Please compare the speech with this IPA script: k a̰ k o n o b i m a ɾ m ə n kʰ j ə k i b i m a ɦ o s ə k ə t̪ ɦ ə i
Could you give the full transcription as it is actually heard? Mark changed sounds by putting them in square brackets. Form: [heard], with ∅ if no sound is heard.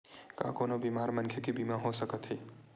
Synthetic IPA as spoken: k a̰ k o n o b i m a ɾ m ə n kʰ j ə k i b i m a ɦ o s ə k ə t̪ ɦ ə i